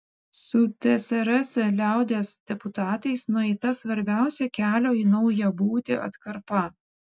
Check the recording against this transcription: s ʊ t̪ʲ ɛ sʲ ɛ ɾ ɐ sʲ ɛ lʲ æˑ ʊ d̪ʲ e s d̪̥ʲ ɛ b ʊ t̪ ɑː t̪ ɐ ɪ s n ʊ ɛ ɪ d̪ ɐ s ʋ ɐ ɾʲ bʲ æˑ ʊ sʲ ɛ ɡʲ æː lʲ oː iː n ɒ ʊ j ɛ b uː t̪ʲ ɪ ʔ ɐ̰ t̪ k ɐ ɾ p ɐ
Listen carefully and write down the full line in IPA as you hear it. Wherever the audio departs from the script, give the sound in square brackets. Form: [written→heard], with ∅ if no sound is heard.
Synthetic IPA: s ʊ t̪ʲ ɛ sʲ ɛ ɾ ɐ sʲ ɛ lʲ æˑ ʊ d̪ʲ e s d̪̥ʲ ɛ [b→p] ʊ t̪ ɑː t̪ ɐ ɪ s n ʊ ɛ ɪ [d̪→t̪] ɐ s ʋ ɐ ɾʲ bʲ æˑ ʊ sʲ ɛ [ɡʲ→kʲ] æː lʲ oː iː n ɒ ʊ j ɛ b uː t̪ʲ ɪ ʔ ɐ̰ t̪ k ɐ ɾ p ɐ